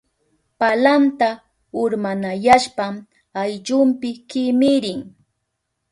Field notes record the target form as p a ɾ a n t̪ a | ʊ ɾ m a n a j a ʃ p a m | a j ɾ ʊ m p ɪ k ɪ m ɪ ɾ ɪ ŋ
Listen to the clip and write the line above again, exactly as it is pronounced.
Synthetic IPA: p a l a n t̪ a | ʊ ɾ m a n a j a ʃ p a m | a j ʎ ʊ m p ɪ k ɪ m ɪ ɾ ɪ ŋ